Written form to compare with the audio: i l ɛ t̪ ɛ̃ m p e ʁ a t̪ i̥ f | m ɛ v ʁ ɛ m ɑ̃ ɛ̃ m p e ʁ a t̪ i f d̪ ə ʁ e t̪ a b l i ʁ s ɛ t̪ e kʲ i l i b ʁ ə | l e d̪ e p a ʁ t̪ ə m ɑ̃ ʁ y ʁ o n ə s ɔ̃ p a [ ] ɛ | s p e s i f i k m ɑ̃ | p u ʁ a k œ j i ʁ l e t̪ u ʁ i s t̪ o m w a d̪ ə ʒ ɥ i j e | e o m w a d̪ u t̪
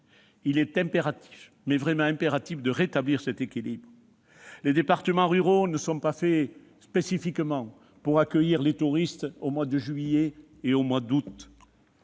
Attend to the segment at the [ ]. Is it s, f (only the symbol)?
f